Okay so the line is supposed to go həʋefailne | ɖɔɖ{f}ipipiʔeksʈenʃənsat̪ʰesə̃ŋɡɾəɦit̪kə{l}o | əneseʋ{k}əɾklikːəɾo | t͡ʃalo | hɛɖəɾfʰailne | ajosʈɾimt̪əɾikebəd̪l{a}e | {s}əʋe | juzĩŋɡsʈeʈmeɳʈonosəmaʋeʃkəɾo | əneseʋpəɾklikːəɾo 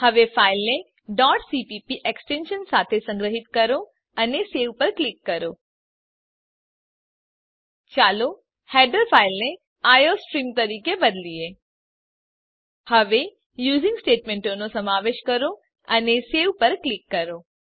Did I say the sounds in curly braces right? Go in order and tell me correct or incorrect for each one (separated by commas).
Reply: incorrect, incorrect, incorrect, incorrect, incorrect